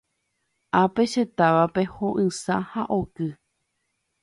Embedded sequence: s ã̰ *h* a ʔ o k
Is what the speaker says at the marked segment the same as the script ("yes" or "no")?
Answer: yes